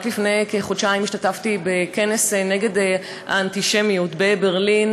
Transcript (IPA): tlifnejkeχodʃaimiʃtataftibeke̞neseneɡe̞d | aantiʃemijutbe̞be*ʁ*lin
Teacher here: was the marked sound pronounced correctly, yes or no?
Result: yes